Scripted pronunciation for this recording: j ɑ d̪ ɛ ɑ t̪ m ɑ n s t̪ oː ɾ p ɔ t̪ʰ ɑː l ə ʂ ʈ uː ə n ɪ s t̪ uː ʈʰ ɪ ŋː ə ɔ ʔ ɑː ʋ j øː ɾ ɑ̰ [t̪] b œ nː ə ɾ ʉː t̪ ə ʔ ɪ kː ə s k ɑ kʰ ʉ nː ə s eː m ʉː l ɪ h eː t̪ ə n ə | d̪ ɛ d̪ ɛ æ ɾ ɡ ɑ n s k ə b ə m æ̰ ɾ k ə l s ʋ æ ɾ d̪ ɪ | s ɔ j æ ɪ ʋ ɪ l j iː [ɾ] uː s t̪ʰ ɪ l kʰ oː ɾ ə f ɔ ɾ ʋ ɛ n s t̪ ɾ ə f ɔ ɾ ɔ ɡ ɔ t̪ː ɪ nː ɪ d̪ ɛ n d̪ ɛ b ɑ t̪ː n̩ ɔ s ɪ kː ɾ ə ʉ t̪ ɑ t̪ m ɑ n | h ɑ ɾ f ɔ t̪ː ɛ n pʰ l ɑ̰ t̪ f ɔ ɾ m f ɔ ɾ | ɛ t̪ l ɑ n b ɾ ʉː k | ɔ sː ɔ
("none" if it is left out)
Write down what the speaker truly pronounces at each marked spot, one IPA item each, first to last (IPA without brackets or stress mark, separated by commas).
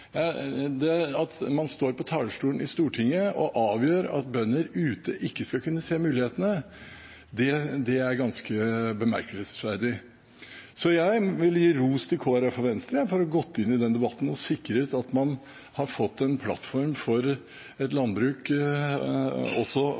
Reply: t̪, ɾ